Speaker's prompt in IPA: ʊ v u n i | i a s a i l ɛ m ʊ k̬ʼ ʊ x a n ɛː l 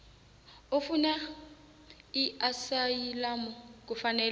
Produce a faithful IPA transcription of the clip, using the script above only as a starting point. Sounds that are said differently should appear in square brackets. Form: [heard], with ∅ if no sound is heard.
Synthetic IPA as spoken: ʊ [f] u n [a] | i a s a i l [a] m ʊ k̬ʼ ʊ [f] a n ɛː l